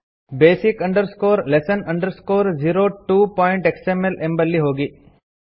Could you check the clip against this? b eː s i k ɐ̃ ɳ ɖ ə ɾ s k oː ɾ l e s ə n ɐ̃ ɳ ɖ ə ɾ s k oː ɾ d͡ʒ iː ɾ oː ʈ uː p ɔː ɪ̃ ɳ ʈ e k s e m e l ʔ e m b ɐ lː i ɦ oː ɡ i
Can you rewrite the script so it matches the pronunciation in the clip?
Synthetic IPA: b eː s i k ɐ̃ ɳ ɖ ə ɾ s k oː ɾ l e s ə n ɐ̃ ɳ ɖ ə ɾ s k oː ɾ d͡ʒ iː ɾ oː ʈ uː p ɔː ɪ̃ ɳ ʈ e k s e m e l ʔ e m b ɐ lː i ɦ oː ɡ i

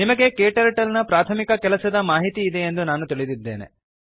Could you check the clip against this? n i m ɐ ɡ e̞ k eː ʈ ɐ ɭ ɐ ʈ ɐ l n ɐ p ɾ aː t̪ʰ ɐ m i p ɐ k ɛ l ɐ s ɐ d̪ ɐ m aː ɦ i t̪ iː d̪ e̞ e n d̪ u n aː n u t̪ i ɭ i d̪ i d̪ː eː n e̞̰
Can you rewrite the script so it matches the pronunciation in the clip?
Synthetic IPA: n i m ɐ ɡ e̞ k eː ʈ ɐ ɾ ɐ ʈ ɐ l n ɐ p ɾ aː t̪ʰ ɐ m i k ɐ k ɛ l ɐ s ɐ d̪ ɐ m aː ɦ i t̪ iː d̪ e̞ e n d̪ u n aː n u t̪ i ɭ i d̪ i d̪ː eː n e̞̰

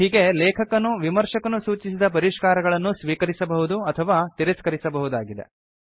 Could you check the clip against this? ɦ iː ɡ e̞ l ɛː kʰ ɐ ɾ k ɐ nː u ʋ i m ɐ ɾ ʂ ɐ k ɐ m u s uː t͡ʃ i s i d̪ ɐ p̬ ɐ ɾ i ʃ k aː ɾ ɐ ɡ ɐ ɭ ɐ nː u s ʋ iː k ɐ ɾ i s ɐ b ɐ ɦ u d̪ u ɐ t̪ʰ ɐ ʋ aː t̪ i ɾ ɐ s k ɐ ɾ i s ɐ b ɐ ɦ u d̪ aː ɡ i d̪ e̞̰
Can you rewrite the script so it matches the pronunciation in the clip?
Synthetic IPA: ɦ iː ɡ e̞ l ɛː kʰ ɐ k ɐ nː u ʋ i m ɐ ɾ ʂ ɐ k ɐ n u s uː t͡ʃ i s i d̪ ɐ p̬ ɐ ɾ i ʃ k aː ɾ ɐ ɡ ɐ ɭ ɐ nː u s ʋ iː k ɐ ɾ i s ɐ b ɐ ɦ u d̪ u ɐ t̪ʰ ɐ ʋ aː t̪ i ɾ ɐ s k ɐ ɾ i s ɐ b ɐ ɦ u d̪ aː ɡ i d̪ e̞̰

